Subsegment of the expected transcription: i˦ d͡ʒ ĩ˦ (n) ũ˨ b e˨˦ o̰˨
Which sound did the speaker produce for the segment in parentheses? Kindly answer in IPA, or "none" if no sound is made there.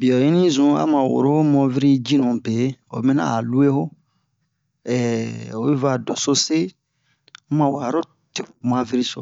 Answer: n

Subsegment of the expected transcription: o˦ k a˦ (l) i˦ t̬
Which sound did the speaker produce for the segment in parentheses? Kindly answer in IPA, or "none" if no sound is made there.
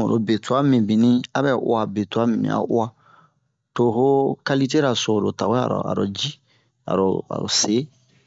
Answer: l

